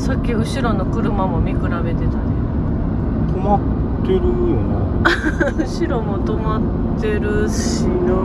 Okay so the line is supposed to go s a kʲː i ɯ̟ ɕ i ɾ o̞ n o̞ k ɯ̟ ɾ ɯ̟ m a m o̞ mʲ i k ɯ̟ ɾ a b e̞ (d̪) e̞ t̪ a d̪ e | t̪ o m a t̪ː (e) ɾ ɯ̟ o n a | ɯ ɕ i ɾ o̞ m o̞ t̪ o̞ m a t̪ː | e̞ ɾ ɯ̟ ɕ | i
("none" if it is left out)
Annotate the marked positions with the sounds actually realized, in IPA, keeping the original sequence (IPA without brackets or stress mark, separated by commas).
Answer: t̪, e